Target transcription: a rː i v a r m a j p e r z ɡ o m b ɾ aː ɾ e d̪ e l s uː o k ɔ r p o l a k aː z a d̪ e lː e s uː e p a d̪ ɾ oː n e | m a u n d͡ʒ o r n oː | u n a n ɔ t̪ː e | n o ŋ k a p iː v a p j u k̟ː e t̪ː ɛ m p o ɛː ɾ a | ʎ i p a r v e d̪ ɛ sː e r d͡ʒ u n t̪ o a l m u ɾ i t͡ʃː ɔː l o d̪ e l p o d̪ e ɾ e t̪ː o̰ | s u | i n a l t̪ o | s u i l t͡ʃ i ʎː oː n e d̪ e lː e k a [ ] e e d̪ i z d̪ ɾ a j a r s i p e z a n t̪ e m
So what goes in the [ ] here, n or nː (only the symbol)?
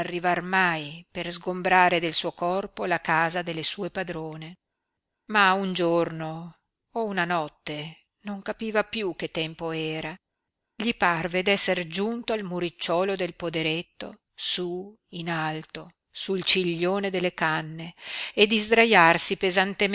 nː